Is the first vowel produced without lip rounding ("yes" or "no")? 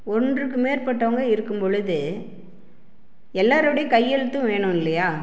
no